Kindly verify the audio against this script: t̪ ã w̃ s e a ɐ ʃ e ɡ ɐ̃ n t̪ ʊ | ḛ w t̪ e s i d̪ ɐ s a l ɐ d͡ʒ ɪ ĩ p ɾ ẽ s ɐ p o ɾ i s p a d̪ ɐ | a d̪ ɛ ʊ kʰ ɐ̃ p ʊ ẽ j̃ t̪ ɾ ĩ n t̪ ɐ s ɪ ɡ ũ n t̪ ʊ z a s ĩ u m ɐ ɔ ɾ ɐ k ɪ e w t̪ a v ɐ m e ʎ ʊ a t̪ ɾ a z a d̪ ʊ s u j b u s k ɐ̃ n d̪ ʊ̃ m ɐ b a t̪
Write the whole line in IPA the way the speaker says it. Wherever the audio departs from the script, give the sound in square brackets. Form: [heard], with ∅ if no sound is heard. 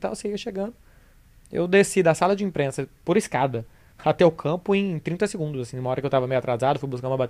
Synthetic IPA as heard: t̪ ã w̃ s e [i] ɐ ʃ e ɡ ɐ̃ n [d̪] ʊ | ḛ w [d̪] e s i d̪ ɐ s a l ɐ d͡ʒ ɪ ĩ p ɾ ẽ s ɐ p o ɾ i s [k] a d̪ ɐ | a [t̪] ɛ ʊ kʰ ɐ̃ p ʊ ẽ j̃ t̪ ɾ ĩ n t̪ ɐ s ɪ ɡ ũ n [d̪] ʊ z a s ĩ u m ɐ ɔ ɾ ɐ k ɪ e w t̪ a v ɐ m e [j] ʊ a t̪ ɾ a z a d̪ ʊ [f] u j b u s k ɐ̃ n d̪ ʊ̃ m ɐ b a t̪